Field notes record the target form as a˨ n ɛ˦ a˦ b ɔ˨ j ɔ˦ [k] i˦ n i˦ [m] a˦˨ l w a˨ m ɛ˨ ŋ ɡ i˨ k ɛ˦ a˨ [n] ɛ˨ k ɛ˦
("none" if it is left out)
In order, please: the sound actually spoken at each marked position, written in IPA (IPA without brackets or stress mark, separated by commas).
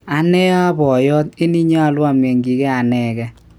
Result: t, ɲ, n